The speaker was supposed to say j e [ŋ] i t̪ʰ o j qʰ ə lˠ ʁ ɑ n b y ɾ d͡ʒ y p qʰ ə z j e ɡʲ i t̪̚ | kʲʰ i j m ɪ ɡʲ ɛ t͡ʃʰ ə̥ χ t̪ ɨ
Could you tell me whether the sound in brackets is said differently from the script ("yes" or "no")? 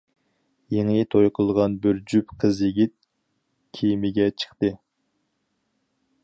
no